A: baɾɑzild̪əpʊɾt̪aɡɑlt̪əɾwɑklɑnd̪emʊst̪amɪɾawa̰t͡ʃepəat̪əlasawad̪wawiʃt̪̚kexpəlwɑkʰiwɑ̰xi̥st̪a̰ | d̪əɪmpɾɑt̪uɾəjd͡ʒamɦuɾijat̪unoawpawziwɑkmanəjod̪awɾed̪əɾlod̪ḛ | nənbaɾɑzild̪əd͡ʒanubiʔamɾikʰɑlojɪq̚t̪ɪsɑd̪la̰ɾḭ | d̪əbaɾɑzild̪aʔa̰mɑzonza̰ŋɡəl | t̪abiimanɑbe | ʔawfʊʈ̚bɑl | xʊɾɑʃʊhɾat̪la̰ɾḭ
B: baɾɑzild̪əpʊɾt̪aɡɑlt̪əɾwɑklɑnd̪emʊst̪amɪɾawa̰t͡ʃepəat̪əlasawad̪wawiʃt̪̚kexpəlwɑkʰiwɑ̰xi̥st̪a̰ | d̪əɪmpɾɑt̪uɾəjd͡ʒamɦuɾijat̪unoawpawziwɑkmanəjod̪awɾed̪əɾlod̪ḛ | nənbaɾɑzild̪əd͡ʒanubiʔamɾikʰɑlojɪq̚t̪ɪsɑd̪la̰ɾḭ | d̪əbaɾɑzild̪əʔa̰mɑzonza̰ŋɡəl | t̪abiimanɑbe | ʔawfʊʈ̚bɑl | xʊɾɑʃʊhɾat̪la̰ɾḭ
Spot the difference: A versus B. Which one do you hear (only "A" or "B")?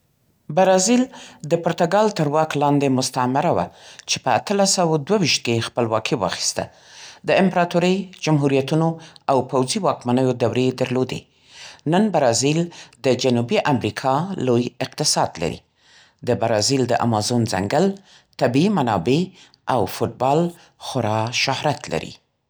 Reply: B